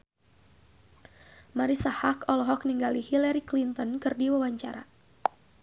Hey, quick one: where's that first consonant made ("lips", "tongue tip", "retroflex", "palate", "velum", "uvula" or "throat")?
lips